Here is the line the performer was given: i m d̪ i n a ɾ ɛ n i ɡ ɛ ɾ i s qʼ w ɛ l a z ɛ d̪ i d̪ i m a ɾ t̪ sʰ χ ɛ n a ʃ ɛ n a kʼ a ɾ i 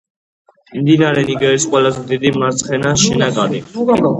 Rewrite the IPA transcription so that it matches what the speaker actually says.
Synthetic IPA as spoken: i m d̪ i n a ɾ ɛ n i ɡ ɛ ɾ i s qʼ w ɛ l a z ɛ d̪ i d̪ i m a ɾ t̪ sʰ χ ɛ n a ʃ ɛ n a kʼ a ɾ i